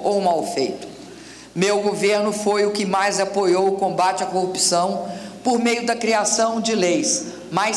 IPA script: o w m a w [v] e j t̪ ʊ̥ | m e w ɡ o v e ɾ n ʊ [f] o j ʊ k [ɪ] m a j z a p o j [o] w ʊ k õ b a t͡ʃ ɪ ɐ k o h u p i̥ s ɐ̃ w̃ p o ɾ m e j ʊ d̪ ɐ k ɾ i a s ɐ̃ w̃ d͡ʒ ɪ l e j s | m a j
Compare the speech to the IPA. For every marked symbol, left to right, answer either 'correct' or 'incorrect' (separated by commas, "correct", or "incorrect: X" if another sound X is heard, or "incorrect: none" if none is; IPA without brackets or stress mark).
incorrect: f, correct, correct, correct